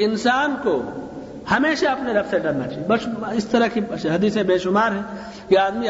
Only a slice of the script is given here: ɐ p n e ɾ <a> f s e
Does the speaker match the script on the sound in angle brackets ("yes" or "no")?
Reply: no